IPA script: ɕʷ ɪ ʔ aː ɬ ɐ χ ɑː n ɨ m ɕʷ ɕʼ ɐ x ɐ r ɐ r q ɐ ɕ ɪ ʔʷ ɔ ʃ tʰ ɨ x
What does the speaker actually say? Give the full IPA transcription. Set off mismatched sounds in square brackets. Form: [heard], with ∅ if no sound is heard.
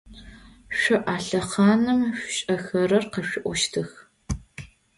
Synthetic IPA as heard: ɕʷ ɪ ʔ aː ɬ ɐ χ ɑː n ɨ m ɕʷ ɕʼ ɐ x ɐ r ɐ r q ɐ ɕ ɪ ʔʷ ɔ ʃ tʰ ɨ x

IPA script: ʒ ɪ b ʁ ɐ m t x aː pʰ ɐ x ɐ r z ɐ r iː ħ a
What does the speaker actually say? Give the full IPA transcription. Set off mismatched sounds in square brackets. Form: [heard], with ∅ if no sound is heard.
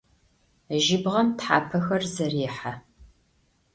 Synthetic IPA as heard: ʒ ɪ b ʁ ɐ m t [ħ] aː pʰ ɐ x ɐ r z ɐ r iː ħ a

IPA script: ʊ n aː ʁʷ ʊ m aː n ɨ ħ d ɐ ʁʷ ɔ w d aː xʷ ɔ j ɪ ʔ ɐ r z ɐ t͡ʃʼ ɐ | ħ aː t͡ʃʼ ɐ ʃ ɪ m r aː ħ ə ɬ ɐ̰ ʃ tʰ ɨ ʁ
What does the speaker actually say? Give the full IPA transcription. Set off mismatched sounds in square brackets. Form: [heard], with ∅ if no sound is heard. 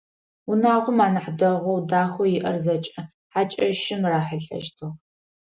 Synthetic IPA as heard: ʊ n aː ʁʷ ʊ m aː n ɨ ħ d ɐ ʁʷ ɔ w d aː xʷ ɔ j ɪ ʔ ɐ r z ɐ t͡ʃʼ ɐ | ħ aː t͡ʃʼ ɐ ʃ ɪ m r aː ħ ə ɬ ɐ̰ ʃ tʰ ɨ ʁ

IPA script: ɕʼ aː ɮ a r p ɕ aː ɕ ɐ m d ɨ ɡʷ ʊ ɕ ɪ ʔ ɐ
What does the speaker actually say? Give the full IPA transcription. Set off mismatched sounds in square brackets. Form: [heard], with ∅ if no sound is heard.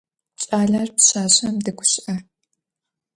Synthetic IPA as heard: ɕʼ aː ɮ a r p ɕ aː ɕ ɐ m d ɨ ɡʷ ʊ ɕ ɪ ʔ ɐ

